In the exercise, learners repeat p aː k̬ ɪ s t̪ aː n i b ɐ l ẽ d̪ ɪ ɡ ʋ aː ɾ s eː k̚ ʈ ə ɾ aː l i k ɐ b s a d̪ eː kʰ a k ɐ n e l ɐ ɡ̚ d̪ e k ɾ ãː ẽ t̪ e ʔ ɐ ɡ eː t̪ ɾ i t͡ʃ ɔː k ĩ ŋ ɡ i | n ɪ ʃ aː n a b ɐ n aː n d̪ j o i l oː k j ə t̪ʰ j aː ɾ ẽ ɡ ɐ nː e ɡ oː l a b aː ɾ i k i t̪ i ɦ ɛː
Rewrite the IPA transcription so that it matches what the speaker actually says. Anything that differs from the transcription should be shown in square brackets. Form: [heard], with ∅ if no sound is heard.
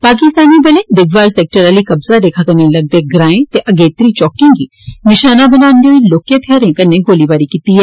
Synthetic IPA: p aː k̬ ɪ s t̪ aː n i b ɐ l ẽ d̪ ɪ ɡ ʋ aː ɾ s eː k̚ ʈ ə ɾ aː l i k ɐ b [z] a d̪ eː kʰ a k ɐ n e l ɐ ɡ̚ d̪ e [ɡ] ɾ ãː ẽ t̪ e ʔ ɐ ɡ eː t̪ ɾ i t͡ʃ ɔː k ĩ ŋ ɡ i | n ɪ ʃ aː n a b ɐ n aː n d̪ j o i l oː k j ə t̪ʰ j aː ɾ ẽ [k] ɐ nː e ɡ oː l [i] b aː ɾ i k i t̪ i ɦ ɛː